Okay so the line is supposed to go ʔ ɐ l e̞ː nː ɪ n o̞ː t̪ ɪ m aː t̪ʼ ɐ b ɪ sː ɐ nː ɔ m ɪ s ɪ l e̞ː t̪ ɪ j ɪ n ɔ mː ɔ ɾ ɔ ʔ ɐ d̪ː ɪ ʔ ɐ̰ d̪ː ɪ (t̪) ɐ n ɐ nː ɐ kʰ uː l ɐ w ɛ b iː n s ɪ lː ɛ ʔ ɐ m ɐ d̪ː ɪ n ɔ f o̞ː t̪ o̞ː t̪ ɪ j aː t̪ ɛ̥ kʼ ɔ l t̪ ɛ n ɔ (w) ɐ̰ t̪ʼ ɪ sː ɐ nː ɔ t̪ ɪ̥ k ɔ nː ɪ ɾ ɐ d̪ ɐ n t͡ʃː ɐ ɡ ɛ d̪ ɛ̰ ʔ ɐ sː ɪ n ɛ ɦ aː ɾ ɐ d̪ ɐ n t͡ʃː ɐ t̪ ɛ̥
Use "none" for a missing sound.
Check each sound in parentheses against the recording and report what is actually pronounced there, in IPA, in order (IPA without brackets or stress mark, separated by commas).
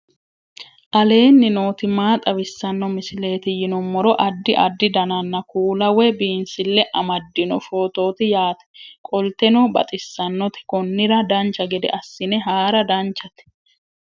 d̪, b